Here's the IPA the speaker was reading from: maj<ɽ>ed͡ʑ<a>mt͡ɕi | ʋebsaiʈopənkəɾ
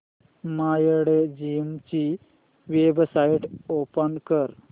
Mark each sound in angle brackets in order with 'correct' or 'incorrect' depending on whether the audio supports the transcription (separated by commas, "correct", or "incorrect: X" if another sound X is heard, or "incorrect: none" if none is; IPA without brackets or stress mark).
correct, incorrect: i